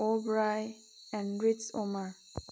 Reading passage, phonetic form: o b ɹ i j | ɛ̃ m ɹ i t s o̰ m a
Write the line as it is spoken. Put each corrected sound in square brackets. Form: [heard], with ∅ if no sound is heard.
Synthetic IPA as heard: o b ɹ [a] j | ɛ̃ [n] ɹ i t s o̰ m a